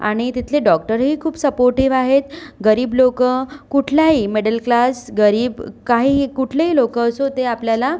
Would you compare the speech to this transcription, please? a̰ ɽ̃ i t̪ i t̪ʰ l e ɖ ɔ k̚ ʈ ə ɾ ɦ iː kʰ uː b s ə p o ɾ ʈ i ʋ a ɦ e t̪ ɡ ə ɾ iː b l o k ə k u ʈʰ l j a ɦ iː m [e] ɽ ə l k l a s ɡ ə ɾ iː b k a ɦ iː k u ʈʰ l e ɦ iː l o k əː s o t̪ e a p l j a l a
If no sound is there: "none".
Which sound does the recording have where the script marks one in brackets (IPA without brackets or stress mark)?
e